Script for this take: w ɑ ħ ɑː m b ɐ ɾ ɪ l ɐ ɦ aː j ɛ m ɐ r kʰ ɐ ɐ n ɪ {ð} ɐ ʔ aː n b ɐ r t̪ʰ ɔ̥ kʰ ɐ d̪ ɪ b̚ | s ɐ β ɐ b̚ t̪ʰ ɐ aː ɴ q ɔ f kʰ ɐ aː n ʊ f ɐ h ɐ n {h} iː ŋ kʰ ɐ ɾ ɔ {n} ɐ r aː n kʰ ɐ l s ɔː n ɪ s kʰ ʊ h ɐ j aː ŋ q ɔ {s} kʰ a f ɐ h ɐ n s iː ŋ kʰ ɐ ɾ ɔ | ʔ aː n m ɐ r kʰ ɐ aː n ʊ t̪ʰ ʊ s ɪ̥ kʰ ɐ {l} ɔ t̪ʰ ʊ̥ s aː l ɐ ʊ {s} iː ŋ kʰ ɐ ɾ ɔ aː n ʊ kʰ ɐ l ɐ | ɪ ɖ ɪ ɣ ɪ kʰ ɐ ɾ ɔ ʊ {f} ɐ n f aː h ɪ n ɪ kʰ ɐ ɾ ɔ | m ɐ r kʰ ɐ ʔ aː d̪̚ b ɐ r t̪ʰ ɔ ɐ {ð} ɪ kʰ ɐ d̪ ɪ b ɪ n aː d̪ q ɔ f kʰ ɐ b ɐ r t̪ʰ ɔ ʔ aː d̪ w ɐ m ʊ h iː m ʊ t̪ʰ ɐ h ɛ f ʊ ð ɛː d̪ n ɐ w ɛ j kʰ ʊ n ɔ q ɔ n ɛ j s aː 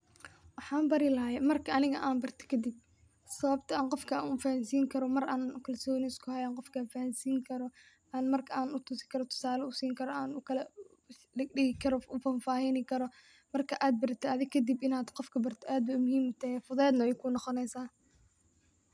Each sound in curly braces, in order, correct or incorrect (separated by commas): incorrect, incorrect, incorrect, incorrect, incorrect, correct, correct, correct